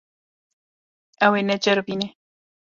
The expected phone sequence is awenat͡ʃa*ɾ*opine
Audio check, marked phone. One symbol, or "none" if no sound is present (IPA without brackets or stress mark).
ɾ